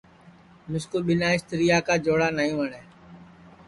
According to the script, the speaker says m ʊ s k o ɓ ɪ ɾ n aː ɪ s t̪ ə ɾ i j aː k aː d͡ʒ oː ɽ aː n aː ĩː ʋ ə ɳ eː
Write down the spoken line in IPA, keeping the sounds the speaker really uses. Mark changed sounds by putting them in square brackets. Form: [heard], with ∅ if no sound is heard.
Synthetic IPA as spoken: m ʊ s k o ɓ ɪ [∅] n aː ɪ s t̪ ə ɾ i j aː k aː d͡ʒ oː ɽ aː n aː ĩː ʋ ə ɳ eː